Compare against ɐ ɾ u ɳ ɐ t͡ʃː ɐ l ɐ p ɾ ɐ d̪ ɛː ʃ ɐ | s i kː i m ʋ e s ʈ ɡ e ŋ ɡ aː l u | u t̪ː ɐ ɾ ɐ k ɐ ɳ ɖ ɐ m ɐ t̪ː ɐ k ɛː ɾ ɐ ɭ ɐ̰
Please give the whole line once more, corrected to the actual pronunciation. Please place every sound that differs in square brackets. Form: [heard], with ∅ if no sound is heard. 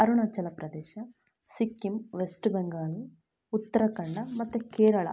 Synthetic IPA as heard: ɐ ɾ u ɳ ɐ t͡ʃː ɐ l ɐ p ɾ ɐ d̪ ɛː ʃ ɐ | s i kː i m ʋ e s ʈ [b] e ŋ ɡ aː l u | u t̪ː ɐ ɾ ɐ k ɐ ɳ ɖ ɐ m ɐ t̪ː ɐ k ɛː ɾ ɐ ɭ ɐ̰